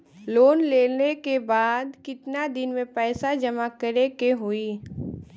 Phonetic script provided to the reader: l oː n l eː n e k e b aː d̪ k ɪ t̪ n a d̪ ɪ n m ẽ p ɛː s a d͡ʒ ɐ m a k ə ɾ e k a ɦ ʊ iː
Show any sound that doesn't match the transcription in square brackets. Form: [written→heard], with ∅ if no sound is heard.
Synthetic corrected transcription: l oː n l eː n e k e b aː d̪ k ɪ t̪ n a d̪ ɪ n m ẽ p ɛː s a d͡ʒ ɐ m a k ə ɾ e k [a→e] ɦ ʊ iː